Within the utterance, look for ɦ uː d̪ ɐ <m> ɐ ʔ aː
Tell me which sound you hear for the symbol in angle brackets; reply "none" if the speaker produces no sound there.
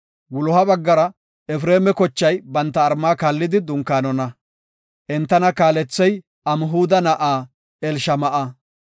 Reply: n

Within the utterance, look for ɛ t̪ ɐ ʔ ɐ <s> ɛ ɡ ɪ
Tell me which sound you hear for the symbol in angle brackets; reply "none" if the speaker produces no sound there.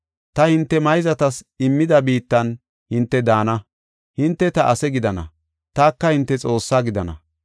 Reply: s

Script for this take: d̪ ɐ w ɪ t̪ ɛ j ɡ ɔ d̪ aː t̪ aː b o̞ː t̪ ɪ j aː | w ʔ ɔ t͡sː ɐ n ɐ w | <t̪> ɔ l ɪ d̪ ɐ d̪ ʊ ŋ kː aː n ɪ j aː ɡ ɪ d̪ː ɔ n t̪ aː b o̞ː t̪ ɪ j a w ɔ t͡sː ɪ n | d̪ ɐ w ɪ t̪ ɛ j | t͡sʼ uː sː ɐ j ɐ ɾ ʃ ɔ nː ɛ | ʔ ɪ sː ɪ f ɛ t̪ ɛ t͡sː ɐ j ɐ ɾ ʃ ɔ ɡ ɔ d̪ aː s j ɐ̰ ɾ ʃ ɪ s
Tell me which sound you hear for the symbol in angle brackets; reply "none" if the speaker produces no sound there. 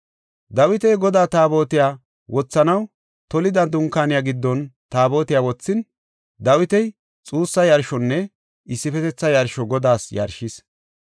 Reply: t̪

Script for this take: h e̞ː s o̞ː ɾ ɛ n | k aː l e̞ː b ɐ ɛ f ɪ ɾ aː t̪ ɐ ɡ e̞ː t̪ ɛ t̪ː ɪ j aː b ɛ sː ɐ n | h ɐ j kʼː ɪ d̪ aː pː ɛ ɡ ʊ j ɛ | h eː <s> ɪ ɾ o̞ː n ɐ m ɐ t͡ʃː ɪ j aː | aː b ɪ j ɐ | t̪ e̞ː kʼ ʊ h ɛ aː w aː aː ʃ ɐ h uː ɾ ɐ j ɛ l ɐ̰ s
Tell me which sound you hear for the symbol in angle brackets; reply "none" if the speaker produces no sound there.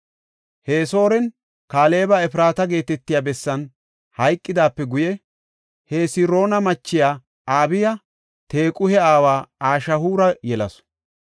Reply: s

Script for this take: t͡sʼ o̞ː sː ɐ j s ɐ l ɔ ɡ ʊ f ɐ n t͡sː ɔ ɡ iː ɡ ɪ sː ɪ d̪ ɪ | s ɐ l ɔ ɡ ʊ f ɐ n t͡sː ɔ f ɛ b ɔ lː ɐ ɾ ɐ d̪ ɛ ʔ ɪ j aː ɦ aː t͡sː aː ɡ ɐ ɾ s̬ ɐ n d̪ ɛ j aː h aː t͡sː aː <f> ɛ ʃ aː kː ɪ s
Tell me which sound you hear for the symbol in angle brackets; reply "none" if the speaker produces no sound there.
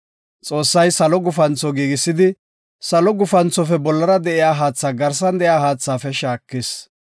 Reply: f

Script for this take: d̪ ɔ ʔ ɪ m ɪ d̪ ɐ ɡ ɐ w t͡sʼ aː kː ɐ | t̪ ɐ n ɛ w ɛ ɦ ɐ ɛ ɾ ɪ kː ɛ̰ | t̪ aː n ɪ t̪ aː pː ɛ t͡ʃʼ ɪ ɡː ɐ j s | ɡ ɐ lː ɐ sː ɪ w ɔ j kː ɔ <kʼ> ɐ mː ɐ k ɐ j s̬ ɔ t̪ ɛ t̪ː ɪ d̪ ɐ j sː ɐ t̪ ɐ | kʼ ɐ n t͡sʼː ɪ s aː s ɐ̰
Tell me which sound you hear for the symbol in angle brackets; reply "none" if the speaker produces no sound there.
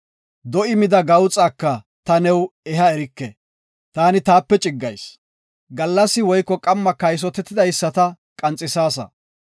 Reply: kʼ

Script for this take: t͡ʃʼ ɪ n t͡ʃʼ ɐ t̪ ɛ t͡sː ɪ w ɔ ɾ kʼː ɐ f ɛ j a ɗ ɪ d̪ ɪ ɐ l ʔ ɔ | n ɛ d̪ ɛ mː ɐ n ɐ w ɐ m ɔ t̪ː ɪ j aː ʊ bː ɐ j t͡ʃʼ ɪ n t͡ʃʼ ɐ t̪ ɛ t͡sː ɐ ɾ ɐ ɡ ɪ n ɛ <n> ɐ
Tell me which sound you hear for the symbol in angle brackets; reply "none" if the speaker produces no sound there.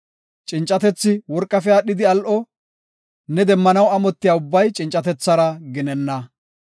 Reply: nː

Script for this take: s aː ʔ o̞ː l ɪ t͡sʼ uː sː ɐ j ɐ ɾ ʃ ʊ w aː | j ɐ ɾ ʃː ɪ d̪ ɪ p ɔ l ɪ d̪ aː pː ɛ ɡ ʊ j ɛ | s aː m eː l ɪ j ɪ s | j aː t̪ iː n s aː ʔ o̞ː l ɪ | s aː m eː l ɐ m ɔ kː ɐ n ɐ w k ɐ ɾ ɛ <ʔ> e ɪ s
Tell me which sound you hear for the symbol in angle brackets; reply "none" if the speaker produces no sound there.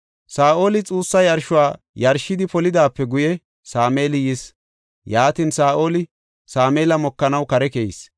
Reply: k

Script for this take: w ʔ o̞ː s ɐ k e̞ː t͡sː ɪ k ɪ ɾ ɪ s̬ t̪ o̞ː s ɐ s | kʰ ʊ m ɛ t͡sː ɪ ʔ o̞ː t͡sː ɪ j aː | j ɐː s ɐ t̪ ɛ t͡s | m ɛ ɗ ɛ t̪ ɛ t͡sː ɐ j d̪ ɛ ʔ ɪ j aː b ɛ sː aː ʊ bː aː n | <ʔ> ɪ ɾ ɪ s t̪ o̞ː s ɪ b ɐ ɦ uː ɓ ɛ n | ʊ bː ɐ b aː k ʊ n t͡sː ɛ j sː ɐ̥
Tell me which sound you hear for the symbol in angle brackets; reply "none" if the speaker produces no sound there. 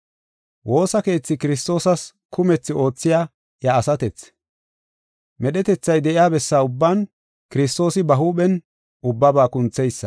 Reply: k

